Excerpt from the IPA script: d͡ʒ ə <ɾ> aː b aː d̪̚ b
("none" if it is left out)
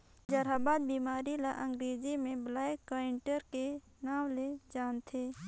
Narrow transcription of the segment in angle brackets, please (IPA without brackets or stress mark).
ɾ